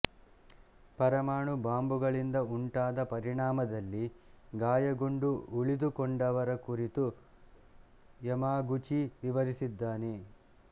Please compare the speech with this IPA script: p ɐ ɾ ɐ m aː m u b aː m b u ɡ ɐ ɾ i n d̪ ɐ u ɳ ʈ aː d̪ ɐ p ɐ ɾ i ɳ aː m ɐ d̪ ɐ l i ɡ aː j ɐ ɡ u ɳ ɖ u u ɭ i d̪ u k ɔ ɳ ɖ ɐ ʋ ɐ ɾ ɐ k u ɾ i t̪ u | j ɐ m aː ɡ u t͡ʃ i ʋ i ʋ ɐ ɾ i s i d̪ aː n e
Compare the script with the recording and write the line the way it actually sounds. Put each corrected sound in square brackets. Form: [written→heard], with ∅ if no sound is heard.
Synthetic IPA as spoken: p ɐ ɾ ɐ m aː [m→ɳ] u b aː m b u ɡ ɐ [ɾ→ɭ] i n d̪ ɐ u ɳ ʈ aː d̪ ɐ p ɐ ɾ i ɳ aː m ɐ d̪ ɐ [l→lː] i ɡ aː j ɐ ɡ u ɳ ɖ u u ɭ i d̪ u k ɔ ɳ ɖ ɐ ʋ ɐ ɾ ɐ k u ɾ i t̪ u | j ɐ m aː ɡ u t͡ʃ i ʋ i ʋ ɐ ɾ i s i [d̪→d̪ː] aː n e